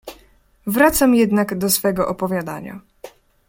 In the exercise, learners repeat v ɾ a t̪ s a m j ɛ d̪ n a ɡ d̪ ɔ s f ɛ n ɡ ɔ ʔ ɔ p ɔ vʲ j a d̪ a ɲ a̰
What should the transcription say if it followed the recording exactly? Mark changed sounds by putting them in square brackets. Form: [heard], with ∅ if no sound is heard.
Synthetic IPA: v ɾ a t̪ s a m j ɛ d̪ n a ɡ d̪ ɔ s f ɛ [∅] ɡ ɔ ʔ ɔ p ɔ vʲ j a d̪ a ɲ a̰